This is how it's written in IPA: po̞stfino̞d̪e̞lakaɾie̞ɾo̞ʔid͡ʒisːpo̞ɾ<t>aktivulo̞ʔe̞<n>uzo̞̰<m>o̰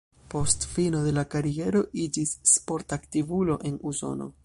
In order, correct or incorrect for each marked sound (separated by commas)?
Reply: correct, correct, incorrect